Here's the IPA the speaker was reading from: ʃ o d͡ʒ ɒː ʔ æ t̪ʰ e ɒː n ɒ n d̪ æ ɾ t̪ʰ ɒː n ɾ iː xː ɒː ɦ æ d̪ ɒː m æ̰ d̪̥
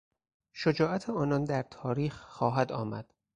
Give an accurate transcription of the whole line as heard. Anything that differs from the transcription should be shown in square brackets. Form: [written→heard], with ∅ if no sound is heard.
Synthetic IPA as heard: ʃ o d͡ʒ ɒː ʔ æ t̪ʰ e ɒː n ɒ n d̪ æ ɾ t̪ʰ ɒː [n→∅] ɾ iː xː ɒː ɦ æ d̪ ɒː m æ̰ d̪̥